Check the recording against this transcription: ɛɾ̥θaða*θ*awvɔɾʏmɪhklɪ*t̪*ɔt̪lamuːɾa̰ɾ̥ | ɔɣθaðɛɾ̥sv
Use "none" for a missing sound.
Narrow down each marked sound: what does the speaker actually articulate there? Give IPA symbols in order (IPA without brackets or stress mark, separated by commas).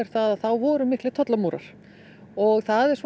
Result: θ, t̪ʰ